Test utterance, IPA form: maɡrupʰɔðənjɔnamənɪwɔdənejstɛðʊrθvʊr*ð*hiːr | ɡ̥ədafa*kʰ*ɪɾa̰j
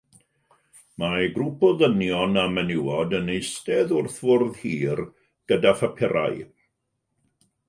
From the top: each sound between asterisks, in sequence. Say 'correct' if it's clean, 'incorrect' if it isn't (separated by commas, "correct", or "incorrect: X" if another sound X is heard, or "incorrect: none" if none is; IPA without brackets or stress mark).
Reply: correct, incorrect: pʰ